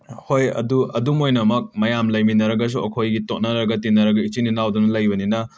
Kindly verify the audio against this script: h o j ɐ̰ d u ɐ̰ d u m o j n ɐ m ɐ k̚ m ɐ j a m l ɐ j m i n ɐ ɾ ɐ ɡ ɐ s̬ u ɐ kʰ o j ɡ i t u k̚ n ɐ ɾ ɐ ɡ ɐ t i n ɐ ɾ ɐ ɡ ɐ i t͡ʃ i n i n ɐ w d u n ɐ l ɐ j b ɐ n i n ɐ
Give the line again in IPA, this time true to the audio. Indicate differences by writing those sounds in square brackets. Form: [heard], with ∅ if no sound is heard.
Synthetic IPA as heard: h o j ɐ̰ d u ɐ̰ d u m o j n ɐ m ɐ k̚ m ɐ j a m l ɐ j m i n ɐ ɾ ɐ ɡ ɐ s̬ u ɐ kʰ o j ɡ i t [o] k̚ n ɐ ɾ ɐ ɡ ɐ t i n ɐ ɾ ɐ ɡ ɐ i t͡ʃ i n i n [a] w d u n ɐ l ɐ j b ɐ n i n ɐ